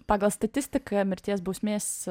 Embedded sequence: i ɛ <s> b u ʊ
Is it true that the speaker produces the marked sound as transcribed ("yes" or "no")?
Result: yes